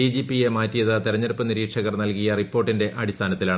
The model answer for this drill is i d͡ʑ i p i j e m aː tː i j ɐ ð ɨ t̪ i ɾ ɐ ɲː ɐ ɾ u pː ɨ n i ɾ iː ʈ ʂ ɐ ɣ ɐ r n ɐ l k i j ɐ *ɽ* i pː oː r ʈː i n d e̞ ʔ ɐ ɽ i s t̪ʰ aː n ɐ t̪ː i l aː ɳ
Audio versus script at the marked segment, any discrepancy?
yes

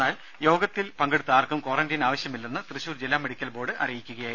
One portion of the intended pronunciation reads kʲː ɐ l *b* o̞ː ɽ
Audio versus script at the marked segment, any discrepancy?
no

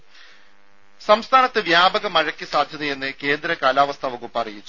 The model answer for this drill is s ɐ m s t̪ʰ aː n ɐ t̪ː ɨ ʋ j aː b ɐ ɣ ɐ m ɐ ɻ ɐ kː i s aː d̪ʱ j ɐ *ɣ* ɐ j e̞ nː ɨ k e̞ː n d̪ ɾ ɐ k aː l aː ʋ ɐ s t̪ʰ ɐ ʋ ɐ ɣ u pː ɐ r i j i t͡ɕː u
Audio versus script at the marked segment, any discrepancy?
yes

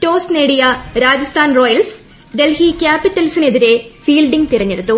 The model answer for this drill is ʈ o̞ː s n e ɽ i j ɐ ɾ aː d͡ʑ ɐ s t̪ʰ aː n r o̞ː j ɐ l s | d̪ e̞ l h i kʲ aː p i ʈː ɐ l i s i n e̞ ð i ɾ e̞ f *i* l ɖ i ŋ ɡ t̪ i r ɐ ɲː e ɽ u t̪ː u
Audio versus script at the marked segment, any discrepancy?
yes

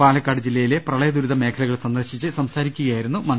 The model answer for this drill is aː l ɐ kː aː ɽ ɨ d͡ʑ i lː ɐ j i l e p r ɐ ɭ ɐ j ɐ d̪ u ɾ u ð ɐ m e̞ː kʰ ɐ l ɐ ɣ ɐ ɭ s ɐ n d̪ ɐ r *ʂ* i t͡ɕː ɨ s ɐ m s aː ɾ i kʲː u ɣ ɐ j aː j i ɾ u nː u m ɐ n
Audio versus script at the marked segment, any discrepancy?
yes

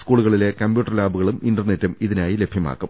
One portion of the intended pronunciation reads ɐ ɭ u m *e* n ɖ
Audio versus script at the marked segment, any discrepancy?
yes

